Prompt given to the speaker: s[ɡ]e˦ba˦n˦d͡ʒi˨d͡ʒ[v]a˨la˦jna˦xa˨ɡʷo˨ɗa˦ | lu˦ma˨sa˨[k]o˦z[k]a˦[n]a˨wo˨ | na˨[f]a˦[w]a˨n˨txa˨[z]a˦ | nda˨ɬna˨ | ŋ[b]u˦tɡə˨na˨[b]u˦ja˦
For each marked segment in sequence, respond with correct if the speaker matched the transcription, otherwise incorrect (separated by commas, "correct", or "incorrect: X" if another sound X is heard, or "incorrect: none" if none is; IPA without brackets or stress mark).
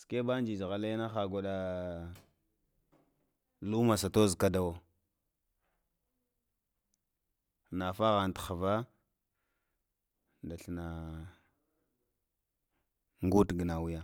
incorrect: k, incorrect: ɣ, incorrect: t, correct, incorrect: d, correct, incorrect: ɣ, incorrect: v, incorrect: ɡ, incorrect: w